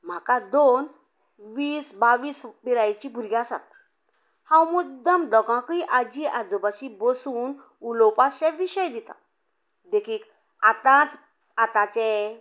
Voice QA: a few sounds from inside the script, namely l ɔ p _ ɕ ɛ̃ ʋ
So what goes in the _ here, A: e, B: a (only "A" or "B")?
B